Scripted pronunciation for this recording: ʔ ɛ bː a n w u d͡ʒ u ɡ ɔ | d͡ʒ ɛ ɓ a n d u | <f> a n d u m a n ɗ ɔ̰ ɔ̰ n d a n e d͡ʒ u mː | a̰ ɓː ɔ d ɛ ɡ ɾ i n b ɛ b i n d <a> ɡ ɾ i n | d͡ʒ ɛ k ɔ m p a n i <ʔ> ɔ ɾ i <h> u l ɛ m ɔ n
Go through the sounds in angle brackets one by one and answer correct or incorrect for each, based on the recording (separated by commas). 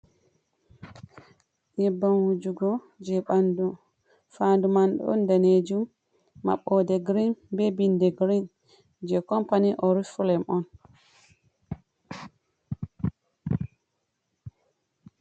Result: correct, incorrect, correct, incorrect